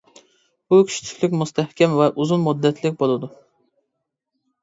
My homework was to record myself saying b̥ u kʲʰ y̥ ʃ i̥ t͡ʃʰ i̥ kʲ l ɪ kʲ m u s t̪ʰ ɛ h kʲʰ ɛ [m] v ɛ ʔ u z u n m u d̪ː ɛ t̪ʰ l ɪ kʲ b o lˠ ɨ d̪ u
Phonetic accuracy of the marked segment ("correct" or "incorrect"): correct